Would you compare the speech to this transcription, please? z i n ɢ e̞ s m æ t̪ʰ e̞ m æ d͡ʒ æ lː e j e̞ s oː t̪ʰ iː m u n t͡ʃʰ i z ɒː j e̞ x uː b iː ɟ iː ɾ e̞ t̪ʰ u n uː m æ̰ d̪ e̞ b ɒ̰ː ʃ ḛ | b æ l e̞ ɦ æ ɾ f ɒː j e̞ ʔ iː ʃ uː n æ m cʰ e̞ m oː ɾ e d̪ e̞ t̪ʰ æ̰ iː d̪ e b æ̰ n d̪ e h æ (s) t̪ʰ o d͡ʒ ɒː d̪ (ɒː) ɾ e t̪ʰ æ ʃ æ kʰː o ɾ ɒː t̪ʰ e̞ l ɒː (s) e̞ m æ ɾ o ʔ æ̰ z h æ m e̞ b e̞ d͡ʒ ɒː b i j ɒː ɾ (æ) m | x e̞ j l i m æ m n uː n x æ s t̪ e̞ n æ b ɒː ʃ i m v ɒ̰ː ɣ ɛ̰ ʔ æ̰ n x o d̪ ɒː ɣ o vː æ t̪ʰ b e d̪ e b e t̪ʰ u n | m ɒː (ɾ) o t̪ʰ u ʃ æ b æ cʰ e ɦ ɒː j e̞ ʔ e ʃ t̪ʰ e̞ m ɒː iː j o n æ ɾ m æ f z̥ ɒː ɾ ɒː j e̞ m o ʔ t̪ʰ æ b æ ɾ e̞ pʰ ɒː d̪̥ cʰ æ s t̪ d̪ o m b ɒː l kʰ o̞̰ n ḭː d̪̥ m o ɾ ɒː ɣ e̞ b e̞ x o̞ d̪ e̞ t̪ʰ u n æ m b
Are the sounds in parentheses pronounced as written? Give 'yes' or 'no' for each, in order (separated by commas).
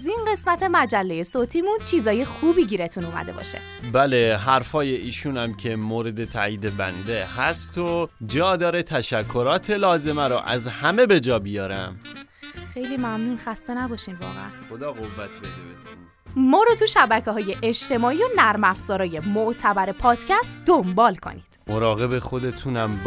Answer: yes, yes, no, yes, yes